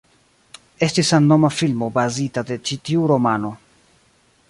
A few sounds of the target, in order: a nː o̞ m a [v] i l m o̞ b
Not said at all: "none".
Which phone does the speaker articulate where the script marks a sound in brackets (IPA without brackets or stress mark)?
f